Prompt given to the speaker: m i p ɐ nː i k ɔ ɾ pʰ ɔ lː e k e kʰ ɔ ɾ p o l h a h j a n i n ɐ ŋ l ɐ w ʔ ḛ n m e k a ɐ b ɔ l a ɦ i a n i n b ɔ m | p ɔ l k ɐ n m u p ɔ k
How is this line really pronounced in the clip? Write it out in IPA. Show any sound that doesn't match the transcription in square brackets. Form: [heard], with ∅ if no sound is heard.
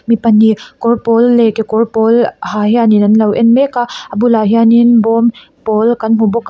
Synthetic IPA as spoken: m i p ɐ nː i k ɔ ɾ [p] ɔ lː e k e [k] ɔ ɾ p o l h a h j a n i n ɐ [n] l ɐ w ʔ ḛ n m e k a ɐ b [u] l a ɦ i a n i n b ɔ m | p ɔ l k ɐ n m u [b] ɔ k